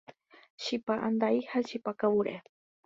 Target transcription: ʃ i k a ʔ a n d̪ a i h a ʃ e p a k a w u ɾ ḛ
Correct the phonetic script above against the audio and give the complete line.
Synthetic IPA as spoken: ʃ i p a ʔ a n d̪ a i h a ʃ i p a k a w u ɾ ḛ